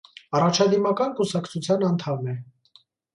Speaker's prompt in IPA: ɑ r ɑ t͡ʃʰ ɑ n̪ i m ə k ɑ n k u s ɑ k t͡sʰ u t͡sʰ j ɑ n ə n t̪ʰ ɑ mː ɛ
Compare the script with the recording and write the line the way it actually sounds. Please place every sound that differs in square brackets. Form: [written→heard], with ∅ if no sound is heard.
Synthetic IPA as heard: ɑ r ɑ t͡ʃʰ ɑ [n̪→d̪] i m [ə→ɑ] k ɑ n k u s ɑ k t͡sʰ u t͡sʰ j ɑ n [ə→ɑ] n t̪ʰ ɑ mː ɛ

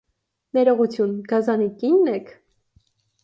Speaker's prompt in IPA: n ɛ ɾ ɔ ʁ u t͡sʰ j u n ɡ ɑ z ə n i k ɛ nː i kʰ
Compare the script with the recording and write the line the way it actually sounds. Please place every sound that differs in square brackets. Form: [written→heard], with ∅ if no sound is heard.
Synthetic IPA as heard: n ɛ ɾ ɔ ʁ u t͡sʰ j u n ɡ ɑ z [ə→ɑ] n i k [ɛ→i] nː [i→ɛ] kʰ

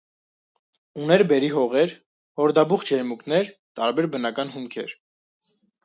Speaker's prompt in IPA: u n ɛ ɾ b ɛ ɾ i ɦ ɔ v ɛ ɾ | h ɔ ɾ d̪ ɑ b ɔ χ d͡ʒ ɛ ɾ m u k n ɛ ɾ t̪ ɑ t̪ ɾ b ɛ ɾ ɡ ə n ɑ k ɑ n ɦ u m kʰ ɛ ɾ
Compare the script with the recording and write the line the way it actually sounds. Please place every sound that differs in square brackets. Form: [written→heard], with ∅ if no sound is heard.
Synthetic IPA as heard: u n ɛ ɾ b ɛ ɾ i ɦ ɔ [v→ʁ] ɛ ɾ | h ɔ ɾ d̪ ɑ b [ɔ→u] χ d͡ʒ ɛ ɾ m u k n ɛ ɾ t̪ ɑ [t̪→∅] ɾ b ɛ ɾ [ɡ→b] ə n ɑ k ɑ n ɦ u m kʰ ɛ ɾ

